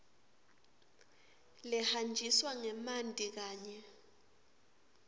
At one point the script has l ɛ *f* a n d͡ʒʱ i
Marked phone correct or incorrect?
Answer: incorrect